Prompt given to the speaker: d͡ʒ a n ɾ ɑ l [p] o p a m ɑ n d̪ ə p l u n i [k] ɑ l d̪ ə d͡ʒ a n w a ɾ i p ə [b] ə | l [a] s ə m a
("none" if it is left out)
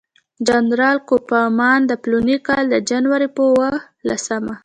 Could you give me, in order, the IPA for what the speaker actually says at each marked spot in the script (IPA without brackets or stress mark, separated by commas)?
k, k, w, a